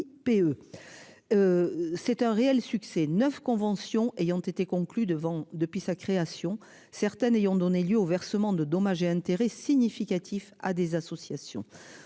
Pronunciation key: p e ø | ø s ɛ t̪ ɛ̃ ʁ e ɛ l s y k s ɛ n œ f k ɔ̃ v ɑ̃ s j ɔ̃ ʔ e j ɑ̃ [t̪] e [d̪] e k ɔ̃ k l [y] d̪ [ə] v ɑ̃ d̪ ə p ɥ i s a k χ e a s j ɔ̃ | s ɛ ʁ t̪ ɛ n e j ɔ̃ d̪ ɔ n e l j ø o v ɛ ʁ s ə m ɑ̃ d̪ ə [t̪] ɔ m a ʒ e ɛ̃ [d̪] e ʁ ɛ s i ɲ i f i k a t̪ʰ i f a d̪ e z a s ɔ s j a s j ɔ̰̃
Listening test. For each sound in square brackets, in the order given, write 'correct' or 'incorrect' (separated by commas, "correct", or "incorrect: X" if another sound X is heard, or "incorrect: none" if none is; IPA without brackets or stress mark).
correct, incorrect: t̪, correct, correct, incorrect: d̪, incorrect: t̪